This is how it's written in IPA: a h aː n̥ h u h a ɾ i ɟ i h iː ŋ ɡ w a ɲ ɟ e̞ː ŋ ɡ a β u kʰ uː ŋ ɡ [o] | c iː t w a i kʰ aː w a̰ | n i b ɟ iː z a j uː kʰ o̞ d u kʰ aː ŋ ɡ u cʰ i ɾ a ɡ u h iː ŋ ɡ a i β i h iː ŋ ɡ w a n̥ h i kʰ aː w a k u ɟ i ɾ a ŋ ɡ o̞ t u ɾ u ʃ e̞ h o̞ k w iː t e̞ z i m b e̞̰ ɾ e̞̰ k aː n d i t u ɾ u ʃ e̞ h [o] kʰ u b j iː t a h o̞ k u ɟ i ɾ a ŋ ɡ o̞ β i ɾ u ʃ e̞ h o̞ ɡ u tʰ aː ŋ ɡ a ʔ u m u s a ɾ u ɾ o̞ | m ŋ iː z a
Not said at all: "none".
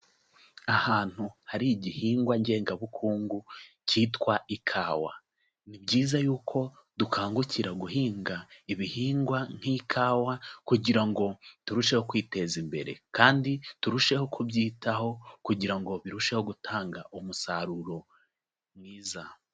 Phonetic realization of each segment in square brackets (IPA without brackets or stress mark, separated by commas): u, o